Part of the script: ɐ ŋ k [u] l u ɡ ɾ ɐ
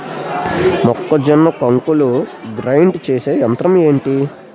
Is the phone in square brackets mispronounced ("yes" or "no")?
no